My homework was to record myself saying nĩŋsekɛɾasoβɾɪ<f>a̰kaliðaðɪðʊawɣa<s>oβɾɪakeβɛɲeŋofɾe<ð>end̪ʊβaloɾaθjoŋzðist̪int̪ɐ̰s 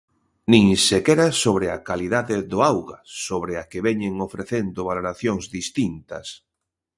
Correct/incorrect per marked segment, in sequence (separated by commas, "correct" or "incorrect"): incorrect, correct, incorrect